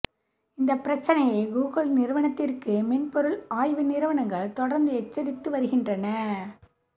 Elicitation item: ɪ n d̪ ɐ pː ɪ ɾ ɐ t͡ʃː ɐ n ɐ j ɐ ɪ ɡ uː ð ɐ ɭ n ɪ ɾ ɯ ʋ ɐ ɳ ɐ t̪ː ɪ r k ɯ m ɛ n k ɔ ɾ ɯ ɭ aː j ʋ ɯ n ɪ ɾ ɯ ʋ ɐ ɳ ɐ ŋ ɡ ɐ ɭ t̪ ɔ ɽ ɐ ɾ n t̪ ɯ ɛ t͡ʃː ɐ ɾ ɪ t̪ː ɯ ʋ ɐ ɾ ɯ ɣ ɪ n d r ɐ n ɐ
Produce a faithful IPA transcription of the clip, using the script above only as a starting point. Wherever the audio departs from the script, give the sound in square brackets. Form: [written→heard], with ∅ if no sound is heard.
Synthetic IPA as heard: ɪ n d̪ ɐ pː ɪ ɾ ɐ t͡ʃː ɐ n ɐ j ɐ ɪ ɡ uː [ð→ɣ] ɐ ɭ n ɪ ɾ ɯ ʋ ɐ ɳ ɐ t̪ː ɪ r k ɯ m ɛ n [k→p] ɔ ɾ ɯ ɭ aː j ʋ ɯ n ɪ ɾ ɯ ʋ ɐ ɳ ɐ ŋ ɡ ɐ ɭ t̪ ɔ ɽ ɐ ɾ n [t̪→d̪] ɯ ɛ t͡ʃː ɐ ɾ ɪ t̪ː ɯ ʋ ɐ ɾ ɯ ɣ ɪ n d r ɐ n ɐ